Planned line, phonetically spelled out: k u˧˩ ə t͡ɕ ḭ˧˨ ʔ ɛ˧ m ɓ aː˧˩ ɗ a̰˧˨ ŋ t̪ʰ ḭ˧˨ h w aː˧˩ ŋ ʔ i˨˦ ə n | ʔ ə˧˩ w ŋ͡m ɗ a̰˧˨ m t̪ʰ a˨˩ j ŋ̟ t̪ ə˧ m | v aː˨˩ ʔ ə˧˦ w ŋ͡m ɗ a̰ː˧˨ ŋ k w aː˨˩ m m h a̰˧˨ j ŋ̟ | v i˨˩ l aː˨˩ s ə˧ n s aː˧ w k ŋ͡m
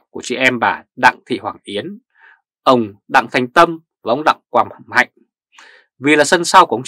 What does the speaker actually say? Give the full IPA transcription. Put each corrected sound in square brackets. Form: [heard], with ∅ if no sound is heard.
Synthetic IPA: k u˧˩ ə t͡ɕ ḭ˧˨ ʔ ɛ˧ m ɓ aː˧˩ ɗ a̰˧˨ ŋ t̪ʰ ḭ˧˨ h w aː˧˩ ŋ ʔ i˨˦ ə n | ʔ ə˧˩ w ŋ͡m ɗ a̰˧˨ [ŋ] t̪ʰ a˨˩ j ŋ̟ t̪ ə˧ m | v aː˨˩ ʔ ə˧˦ w ŋ͡m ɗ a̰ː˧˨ ŋ k w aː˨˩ m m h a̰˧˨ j ŋ̟ | v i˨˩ l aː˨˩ s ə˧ n s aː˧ w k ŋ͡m